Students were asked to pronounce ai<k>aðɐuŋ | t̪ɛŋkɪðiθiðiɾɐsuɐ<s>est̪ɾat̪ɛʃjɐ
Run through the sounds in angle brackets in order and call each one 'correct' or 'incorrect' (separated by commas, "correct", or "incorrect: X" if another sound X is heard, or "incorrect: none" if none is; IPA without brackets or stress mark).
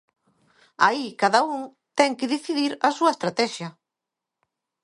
correct, incorrect: none